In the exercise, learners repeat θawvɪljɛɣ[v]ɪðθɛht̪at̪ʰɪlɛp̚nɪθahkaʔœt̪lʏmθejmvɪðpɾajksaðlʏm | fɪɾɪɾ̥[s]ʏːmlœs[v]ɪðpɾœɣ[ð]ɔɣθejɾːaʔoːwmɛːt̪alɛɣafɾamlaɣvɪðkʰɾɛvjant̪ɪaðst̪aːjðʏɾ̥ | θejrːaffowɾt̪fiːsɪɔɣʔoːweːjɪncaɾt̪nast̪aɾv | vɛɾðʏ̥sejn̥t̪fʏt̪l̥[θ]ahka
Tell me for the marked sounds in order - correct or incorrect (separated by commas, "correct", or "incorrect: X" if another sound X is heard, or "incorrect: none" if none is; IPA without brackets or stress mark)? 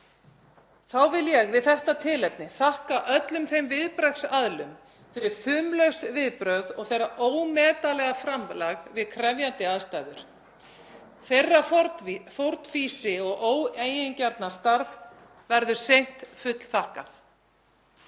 correct, incorrect: f, correct, correct, correct